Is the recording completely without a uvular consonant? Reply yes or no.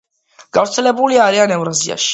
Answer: yes